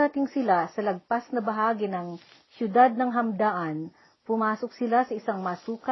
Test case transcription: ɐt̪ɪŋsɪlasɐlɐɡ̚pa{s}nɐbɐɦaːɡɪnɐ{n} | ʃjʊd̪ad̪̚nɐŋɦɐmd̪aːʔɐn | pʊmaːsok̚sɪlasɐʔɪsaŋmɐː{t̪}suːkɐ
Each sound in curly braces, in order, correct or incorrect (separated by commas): correct, incorrect, incorrect